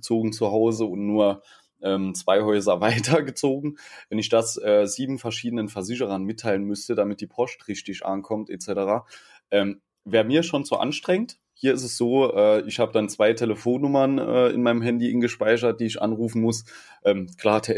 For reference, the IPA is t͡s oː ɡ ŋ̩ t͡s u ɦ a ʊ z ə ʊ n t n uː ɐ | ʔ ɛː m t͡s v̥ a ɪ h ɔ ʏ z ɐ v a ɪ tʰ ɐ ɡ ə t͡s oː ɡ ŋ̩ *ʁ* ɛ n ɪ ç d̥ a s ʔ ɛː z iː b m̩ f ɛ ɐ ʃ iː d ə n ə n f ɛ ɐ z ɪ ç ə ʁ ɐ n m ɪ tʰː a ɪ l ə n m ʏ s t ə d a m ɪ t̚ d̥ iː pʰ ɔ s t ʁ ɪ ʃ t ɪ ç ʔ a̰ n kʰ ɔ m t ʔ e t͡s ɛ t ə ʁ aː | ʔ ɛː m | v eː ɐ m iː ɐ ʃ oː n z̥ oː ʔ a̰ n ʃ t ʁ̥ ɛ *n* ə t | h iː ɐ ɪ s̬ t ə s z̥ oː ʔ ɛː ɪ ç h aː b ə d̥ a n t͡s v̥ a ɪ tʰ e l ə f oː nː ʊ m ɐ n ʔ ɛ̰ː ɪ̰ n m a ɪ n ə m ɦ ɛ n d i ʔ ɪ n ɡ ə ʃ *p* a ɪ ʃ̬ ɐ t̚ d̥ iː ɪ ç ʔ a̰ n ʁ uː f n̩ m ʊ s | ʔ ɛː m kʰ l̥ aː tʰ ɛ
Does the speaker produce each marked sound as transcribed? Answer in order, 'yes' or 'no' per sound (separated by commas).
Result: no, no, yes